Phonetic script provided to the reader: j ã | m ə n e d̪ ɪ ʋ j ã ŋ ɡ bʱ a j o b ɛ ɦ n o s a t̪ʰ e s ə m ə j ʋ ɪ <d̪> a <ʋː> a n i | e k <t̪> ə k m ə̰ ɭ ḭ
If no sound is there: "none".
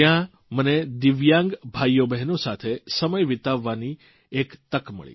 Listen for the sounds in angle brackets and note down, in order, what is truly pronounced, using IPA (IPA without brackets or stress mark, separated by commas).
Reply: t̪, ʋː, t̪